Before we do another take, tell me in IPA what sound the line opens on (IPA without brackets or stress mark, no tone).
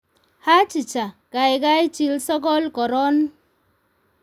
h